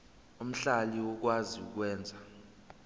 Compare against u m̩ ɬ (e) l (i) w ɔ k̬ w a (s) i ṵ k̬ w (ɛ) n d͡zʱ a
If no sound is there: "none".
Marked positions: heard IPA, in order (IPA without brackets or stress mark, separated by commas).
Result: a, i, z, ɛː